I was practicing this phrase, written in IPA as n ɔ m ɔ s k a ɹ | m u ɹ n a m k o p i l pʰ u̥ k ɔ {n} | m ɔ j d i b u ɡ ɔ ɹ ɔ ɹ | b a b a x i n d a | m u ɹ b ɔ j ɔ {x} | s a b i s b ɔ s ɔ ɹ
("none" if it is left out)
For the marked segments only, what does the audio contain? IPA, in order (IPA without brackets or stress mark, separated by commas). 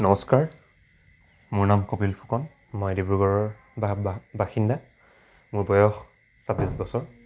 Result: n, x